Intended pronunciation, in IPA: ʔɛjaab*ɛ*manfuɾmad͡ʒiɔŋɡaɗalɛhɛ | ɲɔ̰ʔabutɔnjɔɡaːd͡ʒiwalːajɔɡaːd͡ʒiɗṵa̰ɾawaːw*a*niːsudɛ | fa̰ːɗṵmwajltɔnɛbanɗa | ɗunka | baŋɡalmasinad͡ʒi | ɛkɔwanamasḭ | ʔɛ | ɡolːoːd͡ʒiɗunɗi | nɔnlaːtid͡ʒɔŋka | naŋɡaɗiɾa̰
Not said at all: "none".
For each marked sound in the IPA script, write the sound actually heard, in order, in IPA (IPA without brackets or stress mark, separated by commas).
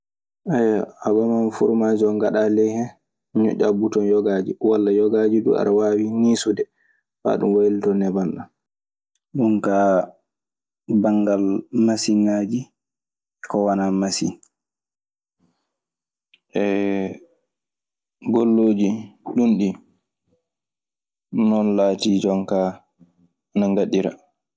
a, i